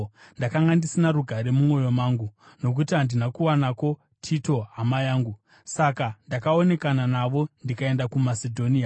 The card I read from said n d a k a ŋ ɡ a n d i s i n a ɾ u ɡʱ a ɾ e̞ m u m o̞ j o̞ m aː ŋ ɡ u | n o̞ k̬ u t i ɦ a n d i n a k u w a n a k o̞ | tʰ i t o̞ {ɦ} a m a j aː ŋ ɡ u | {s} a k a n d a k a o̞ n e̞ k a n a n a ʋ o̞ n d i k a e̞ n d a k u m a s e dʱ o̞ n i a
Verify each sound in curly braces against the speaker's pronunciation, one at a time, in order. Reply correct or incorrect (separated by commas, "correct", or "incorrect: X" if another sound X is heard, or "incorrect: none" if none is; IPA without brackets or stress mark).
correct, correct